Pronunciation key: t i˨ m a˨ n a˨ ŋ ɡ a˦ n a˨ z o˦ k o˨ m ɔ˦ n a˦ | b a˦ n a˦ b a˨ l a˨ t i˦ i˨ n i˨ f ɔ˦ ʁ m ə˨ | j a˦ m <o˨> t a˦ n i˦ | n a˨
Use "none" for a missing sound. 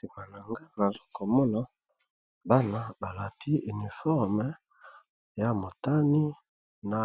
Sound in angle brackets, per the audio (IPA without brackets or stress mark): o˨